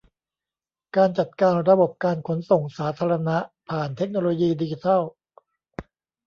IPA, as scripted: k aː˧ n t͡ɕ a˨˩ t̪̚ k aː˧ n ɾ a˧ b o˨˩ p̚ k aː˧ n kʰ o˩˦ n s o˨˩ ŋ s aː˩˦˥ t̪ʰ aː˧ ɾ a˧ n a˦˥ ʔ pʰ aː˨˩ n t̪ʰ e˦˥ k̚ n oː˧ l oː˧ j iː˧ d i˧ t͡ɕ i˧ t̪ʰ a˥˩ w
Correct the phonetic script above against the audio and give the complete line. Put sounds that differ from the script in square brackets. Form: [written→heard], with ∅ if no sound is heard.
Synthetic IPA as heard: k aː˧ n t͡ɕ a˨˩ t̪̚ k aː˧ n ɾ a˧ b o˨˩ p̚ k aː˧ n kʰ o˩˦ n s o˨˩ ŋ s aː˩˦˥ t̪ʰ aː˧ ɾ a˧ n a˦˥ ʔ pʰ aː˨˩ n t̪ʰ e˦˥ k̚ n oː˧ l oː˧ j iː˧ d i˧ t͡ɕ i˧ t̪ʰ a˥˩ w